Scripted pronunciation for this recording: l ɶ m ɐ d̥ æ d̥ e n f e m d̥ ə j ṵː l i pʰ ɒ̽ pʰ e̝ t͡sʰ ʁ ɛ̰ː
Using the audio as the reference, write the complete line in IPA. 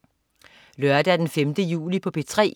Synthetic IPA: l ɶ ɐ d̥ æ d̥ e n f e m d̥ ə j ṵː l i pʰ ɒ̽ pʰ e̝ t͡sʰ ʁ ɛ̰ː

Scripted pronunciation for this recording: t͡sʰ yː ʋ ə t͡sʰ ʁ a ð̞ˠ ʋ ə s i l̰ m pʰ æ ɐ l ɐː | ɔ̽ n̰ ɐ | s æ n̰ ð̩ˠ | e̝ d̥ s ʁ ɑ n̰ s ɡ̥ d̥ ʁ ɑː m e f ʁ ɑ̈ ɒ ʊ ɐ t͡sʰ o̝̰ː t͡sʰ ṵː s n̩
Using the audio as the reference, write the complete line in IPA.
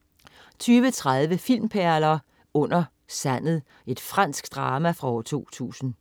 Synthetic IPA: t͡sʰ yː ʋ ə t͡sʰ ʁ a ð̞ˠ ʋ ə f i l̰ m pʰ æ ɐ l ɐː | ɔ̽ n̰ ɐ | s æ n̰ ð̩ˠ | e̝ d̥ f ʁ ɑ n̰ s ɡ̥ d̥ ʁ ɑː m æ f ʁ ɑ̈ ɒ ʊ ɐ t͡sʰ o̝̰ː t͡sʰ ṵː s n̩

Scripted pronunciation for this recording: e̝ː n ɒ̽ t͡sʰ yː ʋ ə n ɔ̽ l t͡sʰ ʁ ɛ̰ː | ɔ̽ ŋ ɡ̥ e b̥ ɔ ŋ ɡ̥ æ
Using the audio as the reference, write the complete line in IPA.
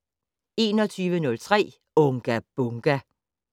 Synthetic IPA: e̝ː n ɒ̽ t͡sʰ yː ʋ ə n ɔ̽ l t͡sʰ ʁ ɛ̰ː | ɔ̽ ŋ ɡ̥ æ b̥ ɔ ŋ ɡ̥ æ

